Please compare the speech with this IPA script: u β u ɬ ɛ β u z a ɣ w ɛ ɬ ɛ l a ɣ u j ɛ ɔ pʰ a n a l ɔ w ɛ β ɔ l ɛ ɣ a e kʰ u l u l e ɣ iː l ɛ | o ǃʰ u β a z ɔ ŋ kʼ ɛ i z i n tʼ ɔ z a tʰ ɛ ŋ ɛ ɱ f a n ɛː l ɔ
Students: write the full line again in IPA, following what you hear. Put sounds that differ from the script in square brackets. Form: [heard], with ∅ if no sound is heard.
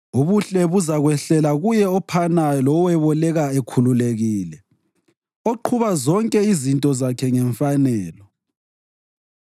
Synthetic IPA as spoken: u β u ɬ ɛ β u z a ɣ w ɛ ɬ ɛ l a ɣ u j ɛ ɔ pʰ a n a l ɔ w ɛ β ɔ l ɛ ɣ a e kʰ u l u l e ɣ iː l ɛ | o ǃʰ u β a z ɔ ŋ kʼ ɛ i z i n tʼ ɔ z a [kʰ] ɛ ŋ ɛ ɱ f a n ɛː l ɔ